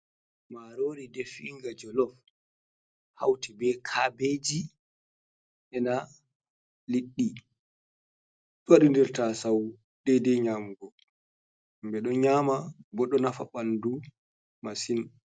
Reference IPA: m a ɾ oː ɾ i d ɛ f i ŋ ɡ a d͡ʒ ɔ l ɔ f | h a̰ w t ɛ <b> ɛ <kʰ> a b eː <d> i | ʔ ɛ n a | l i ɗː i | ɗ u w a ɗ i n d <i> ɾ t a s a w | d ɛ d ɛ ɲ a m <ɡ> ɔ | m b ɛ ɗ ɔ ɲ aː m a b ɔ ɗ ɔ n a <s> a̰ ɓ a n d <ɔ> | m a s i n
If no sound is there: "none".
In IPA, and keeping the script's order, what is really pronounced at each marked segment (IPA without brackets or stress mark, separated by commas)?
b, kʰ, d͡ʒ, ɛ, ɡ, f, u